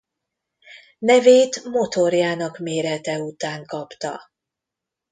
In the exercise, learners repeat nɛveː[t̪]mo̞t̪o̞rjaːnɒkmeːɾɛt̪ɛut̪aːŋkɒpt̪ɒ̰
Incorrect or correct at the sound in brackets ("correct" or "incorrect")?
correct